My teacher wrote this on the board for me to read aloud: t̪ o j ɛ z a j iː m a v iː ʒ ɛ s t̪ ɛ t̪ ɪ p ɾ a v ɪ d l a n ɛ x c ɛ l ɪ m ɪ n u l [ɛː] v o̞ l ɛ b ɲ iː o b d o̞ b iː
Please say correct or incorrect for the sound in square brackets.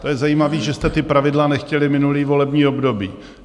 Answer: incorrect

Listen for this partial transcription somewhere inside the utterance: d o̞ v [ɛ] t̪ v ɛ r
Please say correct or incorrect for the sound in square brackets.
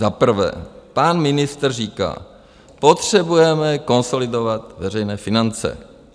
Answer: incorrect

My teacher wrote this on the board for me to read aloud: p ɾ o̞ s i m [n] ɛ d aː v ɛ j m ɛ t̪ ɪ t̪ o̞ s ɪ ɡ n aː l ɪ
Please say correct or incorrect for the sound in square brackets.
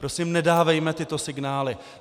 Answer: correct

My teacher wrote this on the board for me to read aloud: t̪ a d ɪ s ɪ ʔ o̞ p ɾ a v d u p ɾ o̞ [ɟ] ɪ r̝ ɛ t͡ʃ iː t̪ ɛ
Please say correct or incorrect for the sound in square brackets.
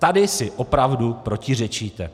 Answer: incorrect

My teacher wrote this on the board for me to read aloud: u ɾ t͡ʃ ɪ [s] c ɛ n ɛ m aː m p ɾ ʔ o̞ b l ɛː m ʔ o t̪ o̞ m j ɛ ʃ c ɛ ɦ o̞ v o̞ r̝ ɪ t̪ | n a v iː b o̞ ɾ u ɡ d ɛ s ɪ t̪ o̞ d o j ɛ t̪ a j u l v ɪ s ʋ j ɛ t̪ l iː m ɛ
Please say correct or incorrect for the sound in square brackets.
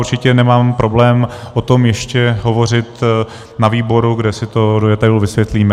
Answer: incorrect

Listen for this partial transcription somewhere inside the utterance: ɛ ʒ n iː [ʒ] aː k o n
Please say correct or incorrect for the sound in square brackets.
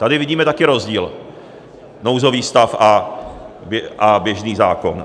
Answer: incorrect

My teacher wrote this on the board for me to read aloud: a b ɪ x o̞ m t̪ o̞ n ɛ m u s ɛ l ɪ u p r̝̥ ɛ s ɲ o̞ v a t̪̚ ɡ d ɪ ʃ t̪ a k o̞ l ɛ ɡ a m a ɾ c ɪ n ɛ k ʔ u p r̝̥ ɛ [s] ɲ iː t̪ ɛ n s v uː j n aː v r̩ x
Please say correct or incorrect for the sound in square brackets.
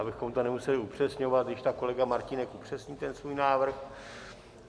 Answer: correct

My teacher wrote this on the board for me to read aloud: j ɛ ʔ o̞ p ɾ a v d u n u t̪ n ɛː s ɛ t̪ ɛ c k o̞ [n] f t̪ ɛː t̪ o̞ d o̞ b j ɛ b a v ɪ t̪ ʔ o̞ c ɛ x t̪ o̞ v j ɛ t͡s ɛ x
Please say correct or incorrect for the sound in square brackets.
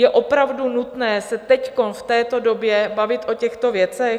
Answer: correct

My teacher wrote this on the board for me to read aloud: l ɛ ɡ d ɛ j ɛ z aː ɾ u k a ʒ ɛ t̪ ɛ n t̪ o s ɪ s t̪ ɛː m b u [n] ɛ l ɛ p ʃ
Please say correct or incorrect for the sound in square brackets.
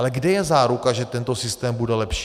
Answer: incorrect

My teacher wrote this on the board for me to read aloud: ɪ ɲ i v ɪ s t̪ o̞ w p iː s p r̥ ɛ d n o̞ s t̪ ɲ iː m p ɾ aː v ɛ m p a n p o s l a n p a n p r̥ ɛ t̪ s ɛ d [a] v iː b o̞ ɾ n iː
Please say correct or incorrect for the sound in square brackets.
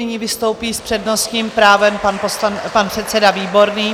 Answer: correct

